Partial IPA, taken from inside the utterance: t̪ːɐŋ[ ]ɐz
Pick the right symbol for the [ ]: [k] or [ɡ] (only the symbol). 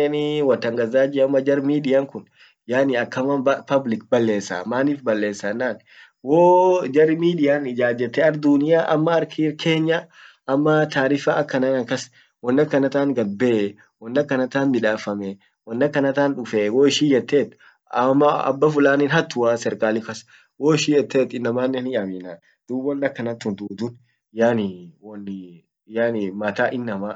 ɡ